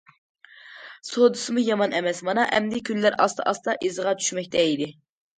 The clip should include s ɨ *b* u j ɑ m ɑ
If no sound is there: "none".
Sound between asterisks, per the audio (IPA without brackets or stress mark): m